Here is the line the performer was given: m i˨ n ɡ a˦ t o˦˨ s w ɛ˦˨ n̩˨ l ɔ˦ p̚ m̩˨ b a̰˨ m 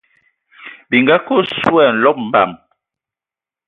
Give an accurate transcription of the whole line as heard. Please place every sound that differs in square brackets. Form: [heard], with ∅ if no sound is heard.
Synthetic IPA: [b] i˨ [ŋ] ɡ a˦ [k] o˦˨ s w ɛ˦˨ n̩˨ l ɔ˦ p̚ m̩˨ b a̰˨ m

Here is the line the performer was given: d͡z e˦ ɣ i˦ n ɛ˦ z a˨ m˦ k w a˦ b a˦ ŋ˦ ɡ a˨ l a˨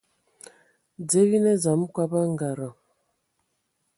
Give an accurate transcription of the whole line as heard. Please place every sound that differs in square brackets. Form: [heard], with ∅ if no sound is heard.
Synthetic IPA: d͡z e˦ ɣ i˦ n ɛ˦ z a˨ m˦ k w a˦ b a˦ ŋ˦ ɡ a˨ [ɾ] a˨

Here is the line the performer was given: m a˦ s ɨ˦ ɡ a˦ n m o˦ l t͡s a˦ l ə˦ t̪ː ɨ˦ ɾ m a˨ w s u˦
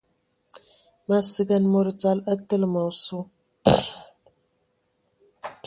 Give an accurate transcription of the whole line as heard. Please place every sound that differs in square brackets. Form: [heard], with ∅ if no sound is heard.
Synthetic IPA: m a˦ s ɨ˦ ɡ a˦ n m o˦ [ɾ] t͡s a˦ l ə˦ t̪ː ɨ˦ [l] m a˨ w s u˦

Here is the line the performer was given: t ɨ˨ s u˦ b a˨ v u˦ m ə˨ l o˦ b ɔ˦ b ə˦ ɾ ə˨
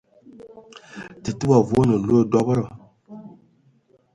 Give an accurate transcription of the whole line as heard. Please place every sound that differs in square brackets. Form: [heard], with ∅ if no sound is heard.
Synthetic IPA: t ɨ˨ [t] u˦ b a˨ v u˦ [n] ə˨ l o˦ [d] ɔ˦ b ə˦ ɾ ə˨

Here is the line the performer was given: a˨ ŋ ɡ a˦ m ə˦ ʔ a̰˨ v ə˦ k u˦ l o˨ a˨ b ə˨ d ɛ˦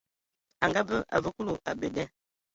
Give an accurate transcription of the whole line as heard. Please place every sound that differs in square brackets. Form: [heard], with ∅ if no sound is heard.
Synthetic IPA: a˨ ŋ ɡ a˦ [b] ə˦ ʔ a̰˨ v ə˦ k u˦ l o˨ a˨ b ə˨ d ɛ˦

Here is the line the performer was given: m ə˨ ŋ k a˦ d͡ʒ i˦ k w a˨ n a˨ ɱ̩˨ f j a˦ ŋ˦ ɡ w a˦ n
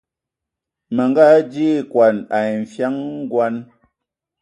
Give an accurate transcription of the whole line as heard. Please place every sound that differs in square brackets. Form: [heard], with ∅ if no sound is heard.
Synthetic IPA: m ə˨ ŋ [ɡ] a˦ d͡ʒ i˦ k w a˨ n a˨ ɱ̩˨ f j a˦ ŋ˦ ɡ w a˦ n

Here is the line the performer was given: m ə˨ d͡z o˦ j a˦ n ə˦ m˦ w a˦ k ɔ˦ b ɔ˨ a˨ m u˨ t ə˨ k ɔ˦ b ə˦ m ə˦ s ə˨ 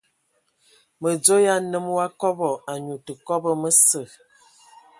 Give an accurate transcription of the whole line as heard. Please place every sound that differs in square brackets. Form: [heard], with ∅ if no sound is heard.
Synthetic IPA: m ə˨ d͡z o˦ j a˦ n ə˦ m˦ w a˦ k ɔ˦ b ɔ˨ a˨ [ɲ] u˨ t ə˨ k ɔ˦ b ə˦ m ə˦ s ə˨

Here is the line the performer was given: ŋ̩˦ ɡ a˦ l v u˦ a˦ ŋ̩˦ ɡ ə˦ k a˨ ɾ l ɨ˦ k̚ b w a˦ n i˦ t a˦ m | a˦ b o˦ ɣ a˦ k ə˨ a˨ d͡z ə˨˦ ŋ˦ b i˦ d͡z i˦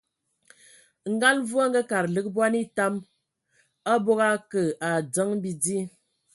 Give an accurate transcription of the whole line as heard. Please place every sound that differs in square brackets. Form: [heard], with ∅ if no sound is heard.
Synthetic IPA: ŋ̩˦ ɡ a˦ l v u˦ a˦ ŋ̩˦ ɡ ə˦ k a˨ ɾ l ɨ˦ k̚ b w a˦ n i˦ t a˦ m | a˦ b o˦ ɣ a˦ k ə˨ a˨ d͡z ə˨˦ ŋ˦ b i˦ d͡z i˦

